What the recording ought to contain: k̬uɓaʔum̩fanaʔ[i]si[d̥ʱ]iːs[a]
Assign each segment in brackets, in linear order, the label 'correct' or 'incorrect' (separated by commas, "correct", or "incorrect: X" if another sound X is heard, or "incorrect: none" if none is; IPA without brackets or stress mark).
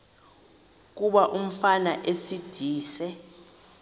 incorrect: e, correct, incorrect: ɛ